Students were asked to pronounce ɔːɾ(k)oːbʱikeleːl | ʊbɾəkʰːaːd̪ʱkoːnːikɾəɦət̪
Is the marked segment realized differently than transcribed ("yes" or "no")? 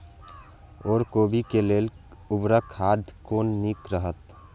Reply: no